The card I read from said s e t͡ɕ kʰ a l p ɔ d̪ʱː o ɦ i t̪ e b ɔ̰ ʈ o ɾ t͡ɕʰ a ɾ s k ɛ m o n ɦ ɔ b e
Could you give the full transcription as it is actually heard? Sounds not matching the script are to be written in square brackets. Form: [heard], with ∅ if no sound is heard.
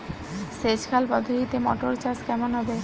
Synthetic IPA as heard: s e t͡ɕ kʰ a l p ɔ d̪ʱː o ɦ i t̪ e [m] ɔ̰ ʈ o ɾ [t͡ɕ] a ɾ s k ɛ m o n ɦ ɔ b e